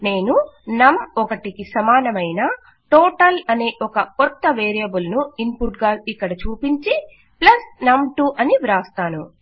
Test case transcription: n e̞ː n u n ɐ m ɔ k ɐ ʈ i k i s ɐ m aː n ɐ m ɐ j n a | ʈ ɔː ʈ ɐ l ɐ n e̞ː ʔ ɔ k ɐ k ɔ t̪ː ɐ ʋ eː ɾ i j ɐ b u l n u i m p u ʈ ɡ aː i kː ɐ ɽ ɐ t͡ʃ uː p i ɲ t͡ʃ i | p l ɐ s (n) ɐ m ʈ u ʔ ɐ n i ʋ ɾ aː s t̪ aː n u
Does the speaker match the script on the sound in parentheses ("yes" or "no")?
yes